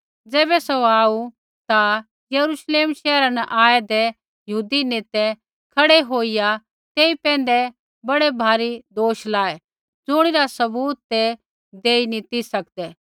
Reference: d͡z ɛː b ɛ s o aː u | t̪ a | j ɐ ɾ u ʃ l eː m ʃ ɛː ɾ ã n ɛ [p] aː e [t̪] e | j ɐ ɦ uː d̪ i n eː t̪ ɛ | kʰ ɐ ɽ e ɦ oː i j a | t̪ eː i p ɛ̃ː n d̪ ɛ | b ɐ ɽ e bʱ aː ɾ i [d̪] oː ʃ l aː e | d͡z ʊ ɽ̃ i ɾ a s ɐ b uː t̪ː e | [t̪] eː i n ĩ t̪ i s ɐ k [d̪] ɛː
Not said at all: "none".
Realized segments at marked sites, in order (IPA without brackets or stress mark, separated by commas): ʔ, d̪, d̪, d̪, d̪